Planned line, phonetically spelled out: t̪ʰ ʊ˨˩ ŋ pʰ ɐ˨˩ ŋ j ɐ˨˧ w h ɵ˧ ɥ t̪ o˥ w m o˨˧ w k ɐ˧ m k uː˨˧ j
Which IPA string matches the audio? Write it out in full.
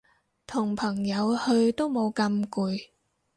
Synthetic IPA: t̪ʰ ʊ˨˩ ŋ pʰ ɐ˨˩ ŋ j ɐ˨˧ w h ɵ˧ ɥ t̪ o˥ w m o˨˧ w k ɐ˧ m k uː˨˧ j